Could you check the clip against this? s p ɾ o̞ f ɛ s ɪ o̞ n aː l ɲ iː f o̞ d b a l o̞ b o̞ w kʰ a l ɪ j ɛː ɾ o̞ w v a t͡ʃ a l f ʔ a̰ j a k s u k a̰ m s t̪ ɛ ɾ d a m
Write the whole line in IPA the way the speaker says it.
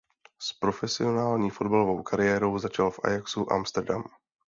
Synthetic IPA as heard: s p ɾ o̞ f ɛ s ɪ o̞ n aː l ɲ iː f o̞ d b a l o̞ v o̞ w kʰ a ɾ ɪ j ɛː ɾ o̞ w z a t͡ʃ a l f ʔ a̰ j a k s u ʔ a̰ m s t̪ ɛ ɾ d a m